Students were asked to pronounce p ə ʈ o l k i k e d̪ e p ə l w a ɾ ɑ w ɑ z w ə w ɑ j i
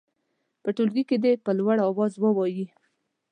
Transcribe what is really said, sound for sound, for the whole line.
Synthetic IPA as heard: p ə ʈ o l ɡ i k e d̪ e p ə l w a ɽ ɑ w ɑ z w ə w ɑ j i